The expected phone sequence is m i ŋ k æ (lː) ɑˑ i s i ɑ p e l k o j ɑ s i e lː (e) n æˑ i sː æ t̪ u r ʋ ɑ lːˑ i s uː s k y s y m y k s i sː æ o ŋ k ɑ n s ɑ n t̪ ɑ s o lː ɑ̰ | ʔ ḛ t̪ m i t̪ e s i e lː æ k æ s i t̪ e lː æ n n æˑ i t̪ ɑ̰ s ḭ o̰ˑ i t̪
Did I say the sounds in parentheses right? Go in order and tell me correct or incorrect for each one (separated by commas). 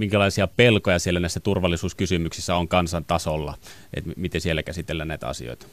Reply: incorrect, incorrect